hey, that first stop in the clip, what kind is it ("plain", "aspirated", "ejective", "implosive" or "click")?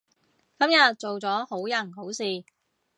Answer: plain